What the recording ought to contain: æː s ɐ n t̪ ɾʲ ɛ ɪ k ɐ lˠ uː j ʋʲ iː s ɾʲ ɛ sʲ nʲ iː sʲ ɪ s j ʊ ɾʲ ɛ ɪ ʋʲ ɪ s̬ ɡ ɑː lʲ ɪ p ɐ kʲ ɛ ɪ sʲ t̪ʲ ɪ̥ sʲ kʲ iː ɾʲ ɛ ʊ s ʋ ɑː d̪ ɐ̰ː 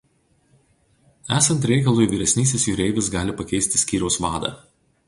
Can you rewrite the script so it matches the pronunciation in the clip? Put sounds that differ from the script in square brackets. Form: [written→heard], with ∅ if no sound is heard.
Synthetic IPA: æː s ɐ n t̪ ɾʲ ɛ ɪ k ɐ lˠ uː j ʋʲ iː [s→∅] ɾʲ ɛ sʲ nʲ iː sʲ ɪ s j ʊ ɾʲ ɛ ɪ ʋʲ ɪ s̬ ɡ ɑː lʲ ɪ p ɐ kʲ ɛ ɪ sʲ t̪ʲ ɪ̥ sʲ kʲ iː ɾʲ ɛ ʊ s ʋ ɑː d̪ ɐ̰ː